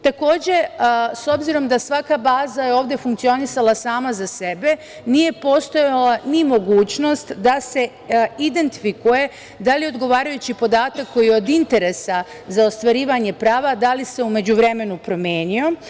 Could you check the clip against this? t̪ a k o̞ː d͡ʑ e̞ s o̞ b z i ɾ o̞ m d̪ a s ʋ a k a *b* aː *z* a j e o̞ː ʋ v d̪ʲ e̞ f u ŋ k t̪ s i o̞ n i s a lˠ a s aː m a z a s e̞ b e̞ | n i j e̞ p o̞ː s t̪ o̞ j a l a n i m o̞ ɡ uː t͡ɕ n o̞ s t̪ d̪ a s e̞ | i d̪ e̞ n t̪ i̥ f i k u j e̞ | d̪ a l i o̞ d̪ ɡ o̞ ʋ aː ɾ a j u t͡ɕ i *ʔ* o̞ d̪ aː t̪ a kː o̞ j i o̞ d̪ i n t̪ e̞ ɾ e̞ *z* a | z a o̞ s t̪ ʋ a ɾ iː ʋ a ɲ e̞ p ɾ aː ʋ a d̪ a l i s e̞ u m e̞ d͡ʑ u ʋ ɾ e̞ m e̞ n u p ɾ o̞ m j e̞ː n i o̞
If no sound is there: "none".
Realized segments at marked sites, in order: b, z, p, s

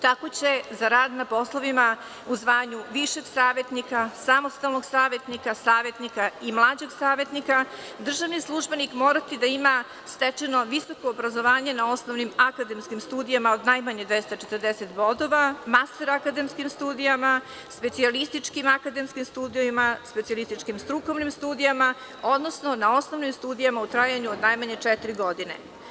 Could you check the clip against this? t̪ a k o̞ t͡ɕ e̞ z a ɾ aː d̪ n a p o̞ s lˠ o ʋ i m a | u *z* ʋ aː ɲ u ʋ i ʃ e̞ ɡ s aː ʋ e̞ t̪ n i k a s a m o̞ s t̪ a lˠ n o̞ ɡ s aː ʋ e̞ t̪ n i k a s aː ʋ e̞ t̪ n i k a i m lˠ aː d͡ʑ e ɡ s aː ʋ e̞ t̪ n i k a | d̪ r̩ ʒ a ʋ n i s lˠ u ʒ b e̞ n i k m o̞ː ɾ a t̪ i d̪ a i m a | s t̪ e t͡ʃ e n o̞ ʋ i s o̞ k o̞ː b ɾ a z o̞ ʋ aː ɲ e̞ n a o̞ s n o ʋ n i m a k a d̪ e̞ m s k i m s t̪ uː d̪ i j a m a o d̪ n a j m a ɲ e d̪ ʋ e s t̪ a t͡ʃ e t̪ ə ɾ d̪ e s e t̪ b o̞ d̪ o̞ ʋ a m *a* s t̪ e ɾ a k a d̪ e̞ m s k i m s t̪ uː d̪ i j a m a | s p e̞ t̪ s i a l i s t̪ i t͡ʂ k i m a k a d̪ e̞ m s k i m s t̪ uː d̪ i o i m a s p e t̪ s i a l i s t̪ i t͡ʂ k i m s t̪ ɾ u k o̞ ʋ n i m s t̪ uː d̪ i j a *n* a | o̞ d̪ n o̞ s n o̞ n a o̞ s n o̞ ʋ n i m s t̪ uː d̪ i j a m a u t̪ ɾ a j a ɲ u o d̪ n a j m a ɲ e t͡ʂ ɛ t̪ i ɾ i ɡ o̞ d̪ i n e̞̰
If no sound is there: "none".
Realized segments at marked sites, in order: z, a, m

